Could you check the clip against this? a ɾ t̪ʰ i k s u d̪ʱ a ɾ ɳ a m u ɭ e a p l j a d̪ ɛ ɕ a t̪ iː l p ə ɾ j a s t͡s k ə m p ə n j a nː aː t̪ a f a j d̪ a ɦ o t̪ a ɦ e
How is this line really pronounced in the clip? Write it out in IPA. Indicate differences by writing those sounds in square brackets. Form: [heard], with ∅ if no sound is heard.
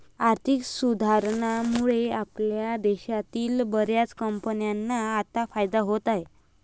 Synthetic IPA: a ɾ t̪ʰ i k s u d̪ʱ a ɾ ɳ a m u ɭ e a p l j a d̪ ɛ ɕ a t̪ iː l [b] ə ɾ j a [∅] t͡s k ə m p ə n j a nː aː t̪ a f a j d̪ a ɦ o t̪ a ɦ e

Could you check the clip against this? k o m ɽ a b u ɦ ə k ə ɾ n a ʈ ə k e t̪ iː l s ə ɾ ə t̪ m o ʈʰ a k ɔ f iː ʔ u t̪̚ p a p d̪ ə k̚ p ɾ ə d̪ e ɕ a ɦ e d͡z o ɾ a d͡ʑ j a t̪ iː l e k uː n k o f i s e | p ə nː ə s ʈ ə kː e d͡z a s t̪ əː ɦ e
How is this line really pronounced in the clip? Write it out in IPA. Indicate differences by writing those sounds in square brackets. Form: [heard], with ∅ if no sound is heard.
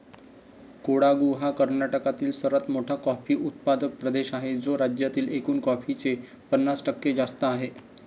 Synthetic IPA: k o [∅] ɽ a [ɡ] u ɦ [a] k ə ɾ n a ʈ ə k [a] t̪ iː l s ə ɾ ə t̪ m o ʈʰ a k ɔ f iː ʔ u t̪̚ p a [∅] d̪ ə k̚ p ɾ ə d̪ e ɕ a ɦ e d͡z o ɾ a d͡ʑ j a t̪ iː l e k uː n k [ɔ] f i [t͡s] e | p ə nː [a] s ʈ ə kː e d͡z a s t̪ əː ɦ e

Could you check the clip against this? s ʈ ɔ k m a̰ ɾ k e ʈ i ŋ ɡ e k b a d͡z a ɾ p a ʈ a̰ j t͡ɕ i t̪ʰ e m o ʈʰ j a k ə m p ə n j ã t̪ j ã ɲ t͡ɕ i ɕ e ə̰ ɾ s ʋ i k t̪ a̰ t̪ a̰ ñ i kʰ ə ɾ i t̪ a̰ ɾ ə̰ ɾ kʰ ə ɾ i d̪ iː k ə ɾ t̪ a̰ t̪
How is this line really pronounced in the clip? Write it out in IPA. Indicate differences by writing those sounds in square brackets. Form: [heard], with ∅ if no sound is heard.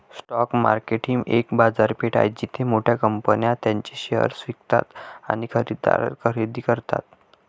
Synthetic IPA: s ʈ ɔ k m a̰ ɾ k e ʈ i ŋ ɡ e k b a d͡z a ɾ p [e] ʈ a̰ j t͡ɕ i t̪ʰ e m o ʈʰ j a k ə m p ə n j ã t̪ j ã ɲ t͡ɕ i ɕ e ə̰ ɾ s ʋ i k t̪ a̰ t̪ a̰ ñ i kʰ ə ɾ i [d̪] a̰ ɾ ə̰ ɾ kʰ ə ɾ i d̪ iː k ə ɾ t̪ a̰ t̪

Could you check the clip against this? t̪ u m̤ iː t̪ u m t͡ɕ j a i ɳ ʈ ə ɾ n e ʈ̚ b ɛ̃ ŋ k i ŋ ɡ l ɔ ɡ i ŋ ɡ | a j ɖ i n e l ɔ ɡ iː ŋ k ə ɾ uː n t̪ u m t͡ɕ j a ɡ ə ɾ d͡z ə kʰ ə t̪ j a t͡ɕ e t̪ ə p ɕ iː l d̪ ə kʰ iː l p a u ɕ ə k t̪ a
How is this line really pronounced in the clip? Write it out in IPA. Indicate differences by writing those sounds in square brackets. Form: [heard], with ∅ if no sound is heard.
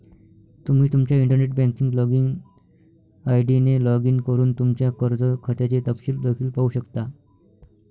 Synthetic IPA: t̪ u m̤ iː t̪ u m t͡ɕ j a i ɳ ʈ ə ɾ n e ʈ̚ b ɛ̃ ŋ k i ŋ ɡ l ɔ ɡ i ŋ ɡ | a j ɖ i n e l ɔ ɡ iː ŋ k ə ɾ uː n t̪ u m t͡ɕ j a [k] ə ɾ d͡z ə kʰ ə t̪ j a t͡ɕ e t̪ ə p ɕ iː l d̪ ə kʰ iː l p a u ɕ ə k t̪ a

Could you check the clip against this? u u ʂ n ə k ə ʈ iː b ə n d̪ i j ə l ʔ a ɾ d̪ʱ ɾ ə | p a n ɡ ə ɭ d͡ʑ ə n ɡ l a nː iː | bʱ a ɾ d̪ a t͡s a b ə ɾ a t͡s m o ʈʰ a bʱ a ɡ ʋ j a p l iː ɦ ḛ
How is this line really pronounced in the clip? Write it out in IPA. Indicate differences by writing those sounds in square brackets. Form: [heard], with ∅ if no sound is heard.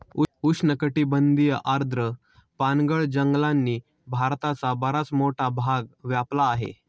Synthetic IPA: u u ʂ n ə k ə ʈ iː b ə n d̪ i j ə [∅] ʔ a ɾ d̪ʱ ɾ ə | p a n ɡ ə ɭ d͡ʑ ə [ŋ] ɡ l a nː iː | bʱ a ɾ [t̪] a t͡s a b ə ɾ a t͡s m o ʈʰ a bʱ a ɡ ʋ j a p l [aː] ɦ ḛ

